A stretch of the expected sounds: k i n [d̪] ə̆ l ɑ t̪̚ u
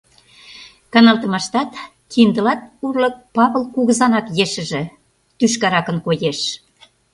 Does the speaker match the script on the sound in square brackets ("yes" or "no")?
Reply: yes